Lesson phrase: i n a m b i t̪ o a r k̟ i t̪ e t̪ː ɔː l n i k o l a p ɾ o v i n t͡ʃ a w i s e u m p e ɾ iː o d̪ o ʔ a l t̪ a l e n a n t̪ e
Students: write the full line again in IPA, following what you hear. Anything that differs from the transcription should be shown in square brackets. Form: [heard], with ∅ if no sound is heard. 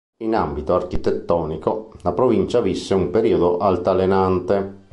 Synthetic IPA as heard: i n a m b i t̪ o a r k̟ i t̪ e t̪ː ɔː [∅] n i k o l a p ɾ o v i n t͡ʃ a [v] i [sː] e u m p e ɾ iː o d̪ o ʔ a l t̪ a l e n a n t̪ e